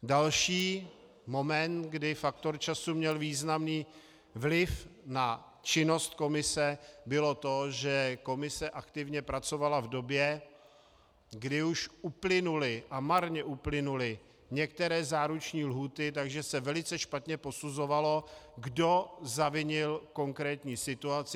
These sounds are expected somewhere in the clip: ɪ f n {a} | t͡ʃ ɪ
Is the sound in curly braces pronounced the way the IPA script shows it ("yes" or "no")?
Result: yes